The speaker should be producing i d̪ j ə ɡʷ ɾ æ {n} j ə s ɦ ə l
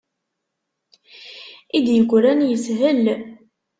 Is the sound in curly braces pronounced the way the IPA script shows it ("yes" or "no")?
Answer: yes